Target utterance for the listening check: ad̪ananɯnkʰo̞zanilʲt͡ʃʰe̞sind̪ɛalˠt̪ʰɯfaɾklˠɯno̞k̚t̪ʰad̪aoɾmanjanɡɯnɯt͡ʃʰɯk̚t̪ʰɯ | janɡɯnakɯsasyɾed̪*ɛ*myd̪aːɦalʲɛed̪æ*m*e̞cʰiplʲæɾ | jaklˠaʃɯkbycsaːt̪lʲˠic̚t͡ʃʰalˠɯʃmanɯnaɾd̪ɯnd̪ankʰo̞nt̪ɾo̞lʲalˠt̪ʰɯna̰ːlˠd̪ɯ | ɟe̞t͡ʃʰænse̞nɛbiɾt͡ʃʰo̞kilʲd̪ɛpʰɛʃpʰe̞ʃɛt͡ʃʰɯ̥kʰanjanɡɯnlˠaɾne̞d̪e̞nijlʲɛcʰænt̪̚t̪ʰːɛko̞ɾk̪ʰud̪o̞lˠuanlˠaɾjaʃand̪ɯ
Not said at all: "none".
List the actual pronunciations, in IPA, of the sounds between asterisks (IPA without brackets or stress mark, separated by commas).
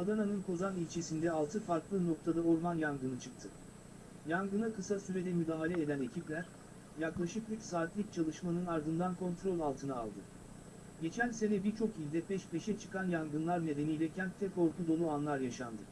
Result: ɛ, n